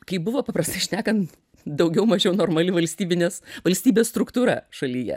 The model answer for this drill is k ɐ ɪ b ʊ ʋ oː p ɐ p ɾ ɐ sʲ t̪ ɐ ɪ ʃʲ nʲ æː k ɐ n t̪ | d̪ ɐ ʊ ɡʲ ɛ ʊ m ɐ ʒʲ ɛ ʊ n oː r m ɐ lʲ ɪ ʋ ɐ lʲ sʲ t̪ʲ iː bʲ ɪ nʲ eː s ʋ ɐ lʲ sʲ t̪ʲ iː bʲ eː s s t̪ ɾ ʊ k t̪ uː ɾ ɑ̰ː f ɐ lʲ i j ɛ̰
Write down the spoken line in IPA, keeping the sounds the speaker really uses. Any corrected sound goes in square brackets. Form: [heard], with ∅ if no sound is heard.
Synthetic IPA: k ɐ ɪ b ʊ ʋ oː p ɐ p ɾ ɐ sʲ t̪ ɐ ɪ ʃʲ nʲ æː k ɐ n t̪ | d̪ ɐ ʊ ɡʲ ɛ ʊ m ɐ ʒʲ ɛ ʊ n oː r m ɐ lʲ ɪ ʋ ɐ lʲ sʲ t̪ʲ iː bʲ ɪ nʲ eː s ʋ ɐ lʲ sʲ t̪ʲ iː bʲ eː s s t̪ ɾ ʊ k t̪ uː ɾ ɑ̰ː [ʃ] ɐ lʲ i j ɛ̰